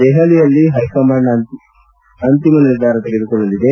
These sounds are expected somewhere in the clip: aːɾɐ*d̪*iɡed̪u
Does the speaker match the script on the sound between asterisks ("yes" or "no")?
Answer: no